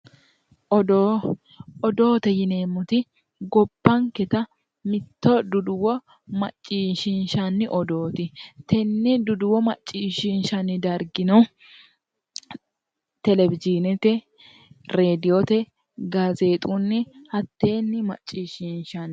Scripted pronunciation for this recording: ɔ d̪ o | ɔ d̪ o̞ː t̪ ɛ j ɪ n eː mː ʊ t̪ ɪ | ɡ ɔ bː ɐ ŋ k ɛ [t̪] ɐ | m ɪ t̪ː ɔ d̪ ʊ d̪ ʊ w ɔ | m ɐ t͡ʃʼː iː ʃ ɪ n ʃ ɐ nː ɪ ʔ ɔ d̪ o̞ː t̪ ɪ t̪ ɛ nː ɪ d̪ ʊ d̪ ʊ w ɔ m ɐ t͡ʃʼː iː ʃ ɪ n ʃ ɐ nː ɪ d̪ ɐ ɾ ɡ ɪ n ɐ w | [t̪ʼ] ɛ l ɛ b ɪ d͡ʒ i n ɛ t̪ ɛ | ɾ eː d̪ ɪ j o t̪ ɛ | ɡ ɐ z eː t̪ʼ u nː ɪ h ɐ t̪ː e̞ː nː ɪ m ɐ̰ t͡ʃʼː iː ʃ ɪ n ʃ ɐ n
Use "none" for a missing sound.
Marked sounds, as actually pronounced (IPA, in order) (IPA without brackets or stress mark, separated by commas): t̪, t̪